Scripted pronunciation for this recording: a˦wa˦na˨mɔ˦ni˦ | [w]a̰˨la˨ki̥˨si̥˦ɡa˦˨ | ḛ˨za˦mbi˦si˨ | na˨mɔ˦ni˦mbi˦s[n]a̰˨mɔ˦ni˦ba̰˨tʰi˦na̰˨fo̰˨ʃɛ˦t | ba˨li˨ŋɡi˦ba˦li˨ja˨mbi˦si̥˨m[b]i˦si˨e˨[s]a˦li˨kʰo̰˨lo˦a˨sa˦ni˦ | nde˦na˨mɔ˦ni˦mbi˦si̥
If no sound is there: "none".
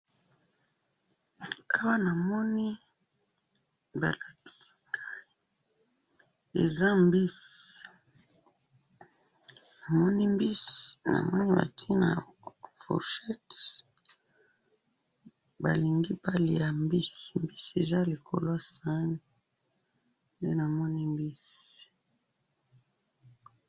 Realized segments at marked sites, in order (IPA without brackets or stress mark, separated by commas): b, n, b, z